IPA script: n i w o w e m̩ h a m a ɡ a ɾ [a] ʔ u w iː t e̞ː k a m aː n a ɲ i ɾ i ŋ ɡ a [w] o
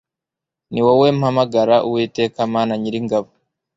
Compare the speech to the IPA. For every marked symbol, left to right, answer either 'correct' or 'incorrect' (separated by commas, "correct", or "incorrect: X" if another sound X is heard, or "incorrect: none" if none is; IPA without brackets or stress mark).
correct, incorrect: β